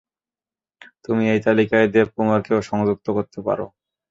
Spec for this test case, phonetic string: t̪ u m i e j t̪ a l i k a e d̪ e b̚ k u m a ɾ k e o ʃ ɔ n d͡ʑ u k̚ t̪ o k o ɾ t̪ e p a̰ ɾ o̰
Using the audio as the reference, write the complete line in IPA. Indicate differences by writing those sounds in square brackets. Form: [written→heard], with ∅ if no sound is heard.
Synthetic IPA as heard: t̪ u m i e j t̪ a l i k a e d̪ e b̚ k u m a ɾ k e o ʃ ɔ [n→ŋ] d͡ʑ u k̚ t̪ o k o ɾ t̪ e p a̰ ɾ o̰